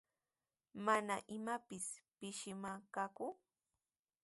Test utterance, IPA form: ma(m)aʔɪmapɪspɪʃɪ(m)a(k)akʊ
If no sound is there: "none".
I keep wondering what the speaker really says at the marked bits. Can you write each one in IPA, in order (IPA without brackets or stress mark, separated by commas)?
n, m, k